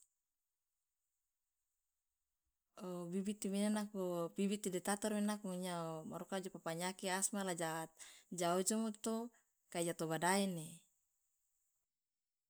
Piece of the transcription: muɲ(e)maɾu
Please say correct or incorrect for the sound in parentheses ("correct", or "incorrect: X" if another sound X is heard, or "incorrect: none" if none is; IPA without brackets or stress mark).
incorrect: a